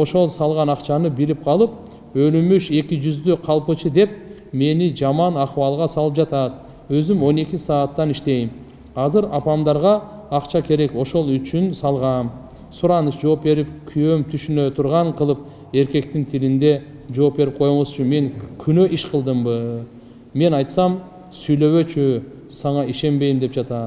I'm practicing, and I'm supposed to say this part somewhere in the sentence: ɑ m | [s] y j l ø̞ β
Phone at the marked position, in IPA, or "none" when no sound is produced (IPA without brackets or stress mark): s